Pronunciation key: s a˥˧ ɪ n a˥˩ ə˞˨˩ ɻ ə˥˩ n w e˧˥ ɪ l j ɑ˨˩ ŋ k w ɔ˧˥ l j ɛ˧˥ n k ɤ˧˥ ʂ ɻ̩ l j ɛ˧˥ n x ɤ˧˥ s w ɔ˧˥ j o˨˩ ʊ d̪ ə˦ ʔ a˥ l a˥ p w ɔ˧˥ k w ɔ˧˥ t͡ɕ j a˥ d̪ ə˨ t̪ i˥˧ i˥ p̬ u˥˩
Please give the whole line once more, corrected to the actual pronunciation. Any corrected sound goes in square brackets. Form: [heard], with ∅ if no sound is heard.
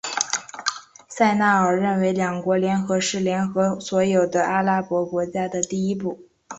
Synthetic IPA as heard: s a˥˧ ɪ n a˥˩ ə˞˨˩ ɻ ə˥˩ n w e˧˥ ɪ l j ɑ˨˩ ŋ k w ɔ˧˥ l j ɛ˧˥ n [x] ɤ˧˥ ʂ ɻ̩ l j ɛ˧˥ n x ɤ˧˥ s w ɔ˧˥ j o˨˩ ʊ d̪ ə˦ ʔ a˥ l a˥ p w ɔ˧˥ k w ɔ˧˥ t͡ɕ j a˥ d̪ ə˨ t̪ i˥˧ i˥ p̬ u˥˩